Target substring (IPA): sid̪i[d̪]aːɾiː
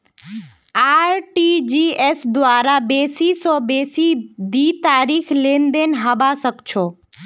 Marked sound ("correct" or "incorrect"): incorrect